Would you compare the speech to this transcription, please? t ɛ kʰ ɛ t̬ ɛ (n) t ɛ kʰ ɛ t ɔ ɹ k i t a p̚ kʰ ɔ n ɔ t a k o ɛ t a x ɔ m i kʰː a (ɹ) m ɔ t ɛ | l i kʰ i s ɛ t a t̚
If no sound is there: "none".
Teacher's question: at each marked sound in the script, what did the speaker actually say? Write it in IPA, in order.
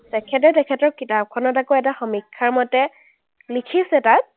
none, ɹ

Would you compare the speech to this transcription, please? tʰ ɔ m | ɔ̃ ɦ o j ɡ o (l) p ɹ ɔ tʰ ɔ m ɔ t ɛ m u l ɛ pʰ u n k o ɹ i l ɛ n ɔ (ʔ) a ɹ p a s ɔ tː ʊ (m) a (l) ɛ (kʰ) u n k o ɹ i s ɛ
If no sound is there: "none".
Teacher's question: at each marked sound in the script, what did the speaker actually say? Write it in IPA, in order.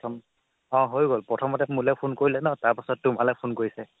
l, t, m, l, pʰ

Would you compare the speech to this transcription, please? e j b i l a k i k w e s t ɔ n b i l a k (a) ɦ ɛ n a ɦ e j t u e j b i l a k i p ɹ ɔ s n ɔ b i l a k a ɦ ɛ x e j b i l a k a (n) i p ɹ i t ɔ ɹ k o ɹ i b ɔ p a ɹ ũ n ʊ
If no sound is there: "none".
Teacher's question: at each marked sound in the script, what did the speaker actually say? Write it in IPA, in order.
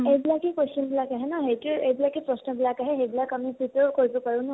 a, m

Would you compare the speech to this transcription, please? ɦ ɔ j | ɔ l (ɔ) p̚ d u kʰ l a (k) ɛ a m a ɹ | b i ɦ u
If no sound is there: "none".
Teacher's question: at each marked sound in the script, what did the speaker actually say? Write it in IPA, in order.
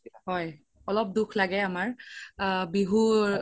ɔ, ɡ

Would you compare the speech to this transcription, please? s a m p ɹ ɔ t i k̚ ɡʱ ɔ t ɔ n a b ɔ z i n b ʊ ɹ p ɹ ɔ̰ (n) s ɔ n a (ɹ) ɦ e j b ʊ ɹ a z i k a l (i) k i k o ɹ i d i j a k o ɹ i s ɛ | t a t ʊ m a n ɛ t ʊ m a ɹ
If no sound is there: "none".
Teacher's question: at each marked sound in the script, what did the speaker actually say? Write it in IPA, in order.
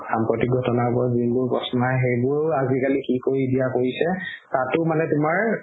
none, none, i

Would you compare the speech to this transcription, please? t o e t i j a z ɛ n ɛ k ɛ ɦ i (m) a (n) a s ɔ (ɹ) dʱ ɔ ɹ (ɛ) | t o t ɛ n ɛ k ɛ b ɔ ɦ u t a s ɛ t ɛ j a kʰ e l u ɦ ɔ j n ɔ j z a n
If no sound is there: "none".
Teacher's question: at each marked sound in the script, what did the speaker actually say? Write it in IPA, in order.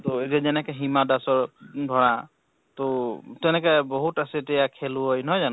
m, d, ɹ, a

